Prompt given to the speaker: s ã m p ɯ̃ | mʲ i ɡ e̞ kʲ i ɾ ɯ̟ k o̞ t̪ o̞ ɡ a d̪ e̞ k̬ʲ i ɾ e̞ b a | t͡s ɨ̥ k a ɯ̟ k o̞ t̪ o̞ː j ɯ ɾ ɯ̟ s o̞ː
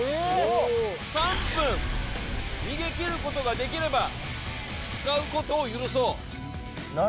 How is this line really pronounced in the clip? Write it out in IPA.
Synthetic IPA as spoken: s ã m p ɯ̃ | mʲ i ɡ e̞ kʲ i ɾ ɯ̟ k o̞ t̪ o̞ ɡ a d̪ e̞ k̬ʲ i ɾ e̞ b a | t͡s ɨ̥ k a ɯ̟ k o̞ t̪ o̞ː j ɯ ɾ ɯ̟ s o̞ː

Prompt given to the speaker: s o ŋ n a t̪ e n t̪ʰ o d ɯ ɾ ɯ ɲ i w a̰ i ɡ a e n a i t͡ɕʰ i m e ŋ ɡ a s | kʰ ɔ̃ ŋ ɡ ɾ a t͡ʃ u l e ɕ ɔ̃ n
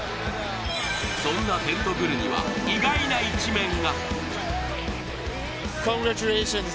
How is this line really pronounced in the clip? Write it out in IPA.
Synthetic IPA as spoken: s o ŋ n a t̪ e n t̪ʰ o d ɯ ɾ ɯ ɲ i w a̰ i ɡ a i n a i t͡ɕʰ i m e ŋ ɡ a | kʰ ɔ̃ ŋ ɡ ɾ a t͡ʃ u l e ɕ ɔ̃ n

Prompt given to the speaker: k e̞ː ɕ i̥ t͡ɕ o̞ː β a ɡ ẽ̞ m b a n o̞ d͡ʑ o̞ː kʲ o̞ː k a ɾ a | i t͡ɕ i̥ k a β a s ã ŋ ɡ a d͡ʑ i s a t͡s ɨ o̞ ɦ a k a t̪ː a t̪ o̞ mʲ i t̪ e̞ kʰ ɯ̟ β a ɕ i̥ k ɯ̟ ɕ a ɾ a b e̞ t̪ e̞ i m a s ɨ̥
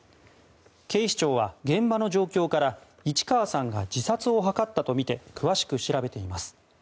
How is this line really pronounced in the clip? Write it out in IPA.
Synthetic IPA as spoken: k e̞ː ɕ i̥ t͡ɕ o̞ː β a ɡ ẽ̞ m b a n o̞ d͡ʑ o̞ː kʲ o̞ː k a ɾ a | i t͡ɕ i̥ k a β a s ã ŋ ɡ a d͡ʑ i s a t͡s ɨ o̞ ɦ a k a t̪ː a t̪ o̞ mʲ i t̪ e̞ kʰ ɯ̟ β a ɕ i̥ k ɯ̟ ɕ i ɾ a b e̞ t̪ e̞ i m a s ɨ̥

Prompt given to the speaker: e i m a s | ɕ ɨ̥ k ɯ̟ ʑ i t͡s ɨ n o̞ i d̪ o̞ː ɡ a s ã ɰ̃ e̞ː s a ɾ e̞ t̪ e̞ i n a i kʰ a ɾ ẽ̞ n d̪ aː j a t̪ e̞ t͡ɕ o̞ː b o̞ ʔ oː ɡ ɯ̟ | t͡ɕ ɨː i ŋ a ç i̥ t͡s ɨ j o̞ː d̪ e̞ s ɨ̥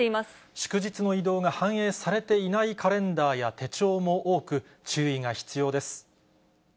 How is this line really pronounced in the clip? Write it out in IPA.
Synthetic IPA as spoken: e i m a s | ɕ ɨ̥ k ɯ̟ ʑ i t͡s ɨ n o̞ i d̪ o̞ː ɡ a h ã ɰ̃ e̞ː s a ɾ e̞ t̪ e̞ i n a i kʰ a ɾ ẽ̞ n d̪ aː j a t̪ e̞ t͡ɕ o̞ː m o̞ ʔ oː k ɯ̟ | t͡ɕ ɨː i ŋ a ç i̥ t͡s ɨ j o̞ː d̪ e̞ s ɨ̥

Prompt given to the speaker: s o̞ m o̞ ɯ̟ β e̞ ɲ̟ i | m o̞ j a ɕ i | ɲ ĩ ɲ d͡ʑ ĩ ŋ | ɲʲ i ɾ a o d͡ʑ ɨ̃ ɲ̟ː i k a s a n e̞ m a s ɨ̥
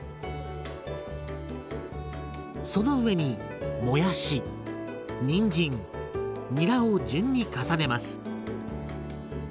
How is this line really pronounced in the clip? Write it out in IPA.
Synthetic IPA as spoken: s o̞ n o̞ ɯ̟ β e̞ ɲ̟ i | m o̞ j a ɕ i | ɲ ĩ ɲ d͡ʑ ĩ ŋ | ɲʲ i ɾ a o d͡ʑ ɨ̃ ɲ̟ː i k a s a n e̞ m a s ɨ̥

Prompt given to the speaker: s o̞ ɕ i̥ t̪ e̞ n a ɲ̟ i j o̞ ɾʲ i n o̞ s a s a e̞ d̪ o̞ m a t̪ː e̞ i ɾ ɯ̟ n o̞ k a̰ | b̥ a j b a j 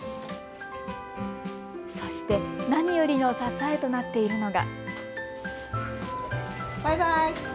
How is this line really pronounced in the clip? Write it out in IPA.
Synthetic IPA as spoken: s o̞ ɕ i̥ t̪ e̞ n a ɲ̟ i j o̞ ɾʲ i n o̞ s a s a e̞ t̪ o̞ n a t̪ː e̞ i ɾ ɯ̟ n o̞ ɡ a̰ | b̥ a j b a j

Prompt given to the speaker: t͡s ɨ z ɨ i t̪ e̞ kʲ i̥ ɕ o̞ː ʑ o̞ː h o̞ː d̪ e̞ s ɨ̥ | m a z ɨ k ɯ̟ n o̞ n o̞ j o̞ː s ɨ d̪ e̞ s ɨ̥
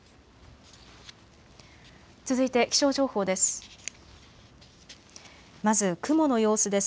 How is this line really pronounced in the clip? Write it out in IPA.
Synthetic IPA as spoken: t͡s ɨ z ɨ i t̪ e̞ kʲ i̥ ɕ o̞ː ʑ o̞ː h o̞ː d̪ e̞ s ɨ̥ | m a z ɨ k ɯ̟ m o̞ n o̞ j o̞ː s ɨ d̪ e̞ s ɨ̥

